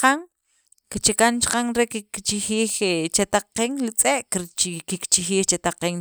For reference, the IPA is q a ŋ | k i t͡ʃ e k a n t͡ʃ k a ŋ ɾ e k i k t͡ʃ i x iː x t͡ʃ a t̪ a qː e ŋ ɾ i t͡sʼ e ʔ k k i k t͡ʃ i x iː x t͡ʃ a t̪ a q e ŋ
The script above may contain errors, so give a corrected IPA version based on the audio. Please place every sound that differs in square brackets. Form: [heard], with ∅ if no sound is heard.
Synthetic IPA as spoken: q a ŋ | k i t͡ʃ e k a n t͡ʃ [q] a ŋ ɾ e k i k t͡ʃ i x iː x t͡ʃ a t̪ a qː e ŋ [l] i t͡sʼ e ʔ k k i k t͡ʃ i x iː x t͡ʃ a t̪ a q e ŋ